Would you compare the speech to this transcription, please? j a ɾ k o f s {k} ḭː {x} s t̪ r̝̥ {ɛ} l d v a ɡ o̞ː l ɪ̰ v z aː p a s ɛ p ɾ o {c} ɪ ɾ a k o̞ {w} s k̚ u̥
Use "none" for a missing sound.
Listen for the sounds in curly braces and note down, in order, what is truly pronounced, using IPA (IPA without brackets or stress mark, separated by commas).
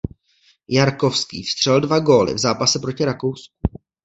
k, f, ɛ, c, w